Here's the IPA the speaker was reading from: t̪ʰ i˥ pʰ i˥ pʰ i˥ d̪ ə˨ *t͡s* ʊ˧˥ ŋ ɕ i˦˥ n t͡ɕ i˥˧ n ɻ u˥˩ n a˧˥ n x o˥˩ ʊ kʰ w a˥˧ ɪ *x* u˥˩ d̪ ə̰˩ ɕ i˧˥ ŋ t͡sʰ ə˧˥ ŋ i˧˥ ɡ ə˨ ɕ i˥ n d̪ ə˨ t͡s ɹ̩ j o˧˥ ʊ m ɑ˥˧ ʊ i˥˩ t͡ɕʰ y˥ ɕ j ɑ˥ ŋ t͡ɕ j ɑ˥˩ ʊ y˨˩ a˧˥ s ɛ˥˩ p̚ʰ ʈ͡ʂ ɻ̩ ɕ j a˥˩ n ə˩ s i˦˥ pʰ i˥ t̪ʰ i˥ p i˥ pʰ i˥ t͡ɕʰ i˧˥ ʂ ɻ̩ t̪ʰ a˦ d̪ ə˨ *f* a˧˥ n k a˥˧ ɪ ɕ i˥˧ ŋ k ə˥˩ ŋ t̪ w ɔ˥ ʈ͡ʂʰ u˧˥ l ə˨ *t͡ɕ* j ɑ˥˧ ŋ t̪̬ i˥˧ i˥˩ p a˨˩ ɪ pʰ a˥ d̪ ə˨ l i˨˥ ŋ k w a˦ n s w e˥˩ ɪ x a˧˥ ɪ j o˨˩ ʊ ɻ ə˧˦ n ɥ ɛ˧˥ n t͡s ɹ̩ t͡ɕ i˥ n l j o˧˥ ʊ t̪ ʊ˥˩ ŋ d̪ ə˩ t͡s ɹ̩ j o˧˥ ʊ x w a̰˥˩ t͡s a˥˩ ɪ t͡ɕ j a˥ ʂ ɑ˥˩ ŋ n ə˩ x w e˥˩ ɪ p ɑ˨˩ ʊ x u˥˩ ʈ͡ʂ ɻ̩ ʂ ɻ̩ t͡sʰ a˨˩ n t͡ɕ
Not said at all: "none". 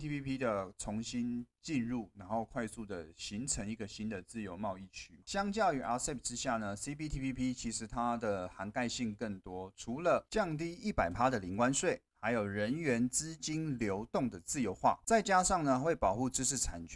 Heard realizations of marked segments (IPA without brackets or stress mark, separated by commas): t͡sʰ, s, x, t͡ɕ